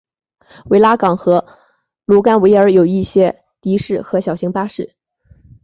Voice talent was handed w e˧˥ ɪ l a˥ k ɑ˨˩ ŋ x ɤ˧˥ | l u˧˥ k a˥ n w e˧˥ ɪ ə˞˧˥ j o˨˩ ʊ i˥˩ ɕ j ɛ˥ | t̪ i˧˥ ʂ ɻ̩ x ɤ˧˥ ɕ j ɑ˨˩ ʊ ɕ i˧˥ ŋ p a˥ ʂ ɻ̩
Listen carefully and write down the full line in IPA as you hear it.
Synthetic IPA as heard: w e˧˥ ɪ l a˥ k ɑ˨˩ ŋ x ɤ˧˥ | l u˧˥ k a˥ n w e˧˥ ɪ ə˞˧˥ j o˨˩ ʊ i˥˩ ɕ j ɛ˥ | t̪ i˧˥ ʂ ɻ̩ x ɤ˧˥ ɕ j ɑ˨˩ ʊ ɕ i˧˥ ŋ p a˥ ʂ ɻ̩